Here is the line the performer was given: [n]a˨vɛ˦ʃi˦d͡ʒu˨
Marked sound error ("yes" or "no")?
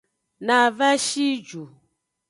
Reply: no